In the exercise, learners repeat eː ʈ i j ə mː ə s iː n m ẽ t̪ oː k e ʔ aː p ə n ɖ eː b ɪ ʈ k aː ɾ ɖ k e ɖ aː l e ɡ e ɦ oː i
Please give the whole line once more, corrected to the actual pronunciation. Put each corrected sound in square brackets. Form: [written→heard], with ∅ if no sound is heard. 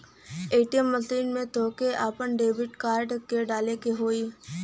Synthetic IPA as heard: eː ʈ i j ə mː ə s iː n m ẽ t̪ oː k e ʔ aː p ə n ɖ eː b ɪ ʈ k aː ɾ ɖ k e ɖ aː l e [ɡ→k] e ɦ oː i

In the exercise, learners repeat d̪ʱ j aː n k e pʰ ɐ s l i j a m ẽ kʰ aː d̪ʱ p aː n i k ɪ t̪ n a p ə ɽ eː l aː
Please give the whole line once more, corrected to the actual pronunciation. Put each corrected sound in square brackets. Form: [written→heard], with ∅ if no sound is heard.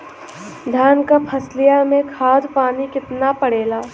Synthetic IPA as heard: d̪ʱ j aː n k [e→a] pʰ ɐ s l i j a m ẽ kʰ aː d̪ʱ p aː n i k ɪ t̪ n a p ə ɽ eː l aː

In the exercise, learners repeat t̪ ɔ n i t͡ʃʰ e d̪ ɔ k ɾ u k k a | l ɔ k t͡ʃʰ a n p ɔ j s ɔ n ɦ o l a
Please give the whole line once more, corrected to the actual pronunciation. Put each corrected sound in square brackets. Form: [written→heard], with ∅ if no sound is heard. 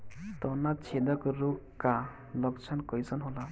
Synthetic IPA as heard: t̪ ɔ n [i→a] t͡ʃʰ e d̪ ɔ k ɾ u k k a | l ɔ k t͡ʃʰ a n [p→k] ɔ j s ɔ n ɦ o l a

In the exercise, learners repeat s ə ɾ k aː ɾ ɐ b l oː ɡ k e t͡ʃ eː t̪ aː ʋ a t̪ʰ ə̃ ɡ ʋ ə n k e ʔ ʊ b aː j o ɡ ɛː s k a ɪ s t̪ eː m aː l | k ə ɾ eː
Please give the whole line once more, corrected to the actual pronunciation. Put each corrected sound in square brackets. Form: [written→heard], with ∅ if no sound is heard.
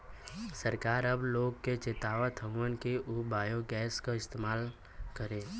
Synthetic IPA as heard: s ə ɾ k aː ɾ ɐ b l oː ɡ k e t͡ʃ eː t̪ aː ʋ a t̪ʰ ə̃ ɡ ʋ ə n k e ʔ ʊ b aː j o ɡ ɛː s k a ɪ s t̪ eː m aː l | k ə ɾ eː

